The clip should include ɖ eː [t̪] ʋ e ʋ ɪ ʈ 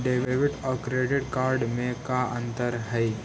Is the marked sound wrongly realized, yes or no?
yes